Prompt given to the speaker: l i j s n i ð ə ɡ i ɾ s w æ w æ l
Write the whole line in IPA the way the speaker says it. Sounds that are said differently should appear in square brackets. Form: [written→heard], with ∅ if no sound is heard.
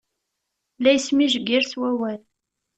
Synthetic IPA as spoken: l [i→æ] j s [n→m] i [ð→ʒ] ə ɡ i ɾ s w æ w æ l